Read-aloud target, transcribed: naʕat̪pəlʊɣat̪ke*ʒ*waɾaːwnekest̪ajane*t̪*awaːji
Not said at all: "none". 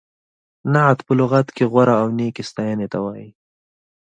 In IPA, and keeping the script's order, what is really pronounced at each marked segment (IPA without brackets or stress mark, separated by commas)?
ɣ, t̪